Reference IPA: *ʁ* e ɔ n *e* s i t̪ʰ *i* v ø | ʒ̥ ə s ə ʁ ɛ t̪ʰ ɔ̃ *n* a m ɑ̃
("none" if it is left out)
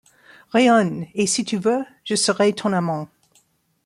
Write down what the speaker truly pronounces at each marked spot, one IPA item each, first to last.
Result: ʁ, e, y, n

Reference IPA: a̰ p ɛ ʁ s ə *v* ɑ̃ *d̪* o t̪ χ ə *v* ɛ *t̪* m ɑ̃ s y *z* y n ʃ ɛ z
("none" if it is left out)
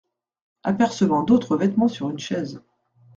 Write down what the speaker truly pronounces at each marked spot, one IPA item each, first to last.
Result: v, d̪, v, t̪, ʁ

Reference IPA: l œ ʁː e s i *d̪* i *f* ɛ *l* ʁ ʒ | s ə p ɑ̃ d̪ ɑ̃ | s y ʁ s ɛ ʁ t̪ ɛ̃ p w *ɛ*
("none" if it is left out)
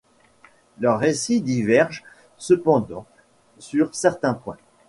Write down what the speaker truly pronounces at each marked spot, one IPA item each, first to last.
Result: d̪, v, none, ɛ̃

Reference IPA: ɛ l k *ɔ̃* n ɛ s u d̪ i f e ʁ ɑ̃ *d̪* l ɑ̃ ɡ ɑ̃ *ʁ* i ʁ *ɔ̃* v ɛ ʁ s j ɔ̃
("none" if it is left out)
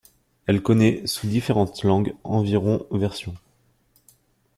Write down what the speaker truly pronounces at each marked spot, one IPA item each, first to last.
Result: ɔ, t̪, v, ɔ̃

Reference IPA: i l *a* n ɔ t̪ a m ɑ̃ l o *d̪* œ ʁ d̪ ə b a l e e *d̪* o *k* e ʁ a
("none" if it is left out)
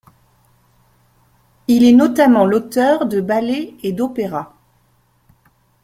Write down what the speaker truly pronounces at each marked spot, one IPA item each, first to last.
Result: ɛ, t̪, d̪, p

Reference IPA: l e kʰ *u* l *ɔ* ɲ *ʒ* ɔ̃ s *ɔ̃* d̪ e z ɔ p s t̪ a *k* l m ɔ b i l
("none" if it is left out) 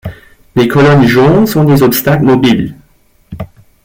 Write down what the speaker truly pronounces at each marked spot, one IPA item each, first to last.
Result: ɔ, ɔ, ʒ, ɔ̃, k

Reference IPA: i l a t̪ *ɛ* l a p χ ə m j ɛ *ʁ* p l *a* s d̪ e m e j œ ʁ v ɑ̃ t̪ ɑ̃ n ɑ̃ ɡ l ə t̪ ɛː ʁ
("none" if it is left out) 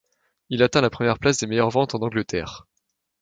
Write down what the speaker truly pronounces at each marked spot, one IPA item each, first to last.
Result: ɛ̃, ʁ, a

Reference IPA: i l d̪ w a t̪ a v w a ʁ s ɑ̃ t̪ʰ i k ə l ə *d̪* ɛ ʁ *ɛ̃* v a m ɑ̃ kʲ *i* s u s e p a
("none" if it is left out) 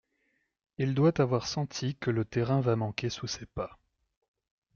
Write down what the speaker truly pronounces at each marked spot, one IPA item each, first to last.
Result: t̪, ɛ̃, e

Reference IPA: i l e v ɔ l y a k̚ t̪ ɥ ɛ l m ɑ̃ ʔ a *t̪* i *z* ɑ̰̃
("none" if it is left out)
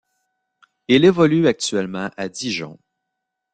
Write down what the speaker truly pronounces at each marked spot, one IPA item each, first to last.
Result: d̪, ʒ

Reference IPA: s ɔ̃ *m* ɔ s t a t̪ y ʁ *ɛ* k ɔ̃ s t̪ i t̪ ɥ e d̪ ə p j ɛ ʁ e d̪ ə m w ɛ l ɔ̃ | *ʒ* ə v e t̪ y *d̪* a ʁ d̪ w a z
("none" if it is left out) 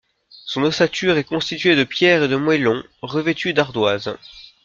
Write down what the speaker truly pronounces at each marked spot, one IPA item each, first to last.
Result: n, ɛ, ʁ, d̪

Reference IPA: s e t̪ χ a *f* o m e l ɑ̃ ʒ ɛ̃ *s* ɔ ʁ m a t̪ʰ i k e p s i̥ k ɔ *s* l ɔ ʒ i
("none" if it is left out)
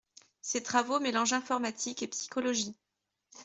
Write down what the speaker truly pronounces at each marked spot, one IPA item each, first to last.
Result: v, f, none

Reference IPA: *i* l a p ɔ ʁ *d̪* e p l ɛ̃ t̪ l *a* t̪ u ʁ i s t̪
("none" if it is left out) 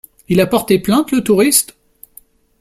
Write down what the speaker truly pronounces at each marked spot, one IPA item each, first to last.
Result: i, t̪, ə

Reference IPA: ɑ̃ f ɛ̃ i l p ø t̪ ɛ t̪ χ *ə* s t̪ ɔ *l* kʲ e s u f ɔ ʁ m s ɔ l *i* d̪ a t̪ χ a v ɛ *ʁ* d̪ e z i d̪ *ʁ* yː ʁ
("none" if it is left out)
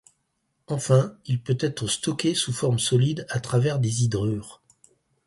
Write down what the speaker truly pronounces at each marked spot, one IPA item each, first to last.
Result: ə, none, i, ʁ, ʁ

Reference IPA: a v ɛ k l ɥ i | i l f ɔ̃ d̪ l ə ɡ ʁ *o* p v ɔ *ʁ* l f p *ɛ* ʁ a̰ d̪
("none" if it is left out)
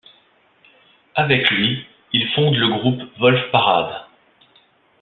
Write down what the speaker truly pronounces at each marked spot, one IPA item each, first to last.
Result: u, none, a

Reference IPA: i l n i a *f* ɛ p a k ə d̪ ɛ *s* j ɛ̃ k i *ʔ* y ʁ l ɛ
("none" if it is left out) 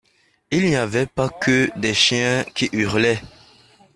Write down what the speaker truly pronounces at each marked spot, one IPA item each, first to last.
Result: v, ʃ, ʔ

